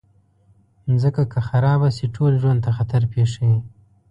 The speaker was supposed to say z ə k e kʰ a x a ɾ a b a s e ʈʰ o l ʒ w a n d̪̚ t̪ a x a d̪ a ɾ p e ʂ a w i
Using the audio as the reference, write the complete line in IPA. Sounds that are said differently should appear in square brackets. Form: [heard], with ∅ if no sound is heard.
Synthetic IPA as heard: z ə k [a] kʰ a x a ɾ [ɑ] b a s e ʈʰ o l ʒ w a n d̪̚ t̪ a x a [t̪] a ɾ p e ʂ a w i